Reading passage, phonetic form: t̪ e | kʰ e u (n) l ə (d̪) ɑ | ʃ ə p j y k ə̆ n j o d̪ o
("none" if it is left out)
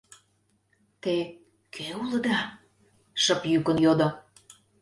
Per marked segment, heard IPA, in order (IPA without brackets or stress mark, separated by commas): none, d̪